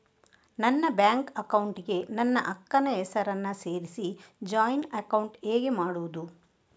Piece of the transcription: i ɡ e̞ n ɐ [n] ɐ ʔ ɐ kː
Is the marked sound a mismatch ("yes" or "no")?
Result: yes